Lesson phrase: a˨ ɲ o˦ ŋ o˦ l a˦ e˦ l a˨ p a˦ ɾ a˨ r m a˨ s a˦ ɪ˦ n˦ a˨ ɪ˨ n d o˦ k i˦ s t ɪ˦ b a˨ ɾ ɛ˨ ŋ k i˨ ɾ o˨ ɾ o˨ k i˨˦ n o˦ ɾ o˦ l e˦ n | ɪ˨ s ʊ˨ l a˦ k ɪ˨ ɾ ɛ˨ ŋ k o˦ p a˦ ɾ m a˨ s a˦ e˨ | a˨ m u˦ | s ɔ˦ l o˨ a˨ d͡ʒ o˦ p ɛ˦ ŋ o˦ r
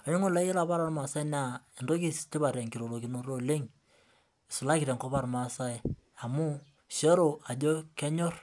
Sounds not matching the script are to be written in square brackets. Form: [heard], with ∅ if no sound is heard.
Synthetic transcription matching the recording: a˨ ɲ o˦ ŋ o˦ l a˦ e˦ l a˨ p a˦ ɾ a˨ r m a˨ s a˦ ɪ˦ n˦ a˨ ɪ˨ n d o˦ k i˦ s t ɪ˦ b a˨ ɾ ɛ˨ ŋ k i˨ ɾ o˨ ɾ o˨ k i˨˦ n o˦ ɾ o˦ l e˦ [ŋ] | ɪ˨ s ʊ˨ l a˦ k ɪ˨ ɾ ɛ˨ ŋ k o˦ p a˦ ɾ m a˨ s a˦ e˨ | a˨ m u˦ | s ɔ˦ [ɾ] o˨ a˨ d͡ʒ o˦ [k] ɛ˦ [ɲ] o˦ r

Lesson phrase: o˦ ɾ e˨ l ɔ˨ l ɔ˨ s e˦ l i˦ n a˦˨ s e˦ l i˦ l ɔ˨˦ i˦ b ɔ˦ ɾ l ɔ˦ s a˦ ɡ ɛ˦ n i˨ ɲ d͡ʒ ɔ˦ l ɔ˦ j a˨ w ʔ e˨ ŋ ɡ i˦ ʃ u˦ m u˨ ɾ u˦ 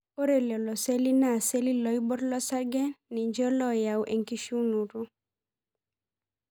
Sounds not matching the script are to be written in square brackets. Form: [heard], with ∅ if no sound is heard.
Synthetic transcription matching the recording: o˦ ɾ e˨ l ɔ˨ l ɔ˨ s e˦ l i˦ n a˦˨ s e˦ l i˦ l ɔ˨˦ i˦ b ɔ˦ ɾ l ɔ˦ s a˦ ɡ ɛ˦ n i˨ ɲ d͡ʒ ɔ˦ l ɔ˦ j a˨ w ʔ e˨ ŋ [k] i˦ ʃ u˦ [n] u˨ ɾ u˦

